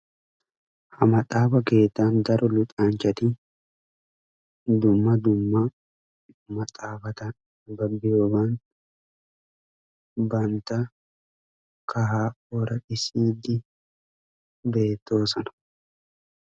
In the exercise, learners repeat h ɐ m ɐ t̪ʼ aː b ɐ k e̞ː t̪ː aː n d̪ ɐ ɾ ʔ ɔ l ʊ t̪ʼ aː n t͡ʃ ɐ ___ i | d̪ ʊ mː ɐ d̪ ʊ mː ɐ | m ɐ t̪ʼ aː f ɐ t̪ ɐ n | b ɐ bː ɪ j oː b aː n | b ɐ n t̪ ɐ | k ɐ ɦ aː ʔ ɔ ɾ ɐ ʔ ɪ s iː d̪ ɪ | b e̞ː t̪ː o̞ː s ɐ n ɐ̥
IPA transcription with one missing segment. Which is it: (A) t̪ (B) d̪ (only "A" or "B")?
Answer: A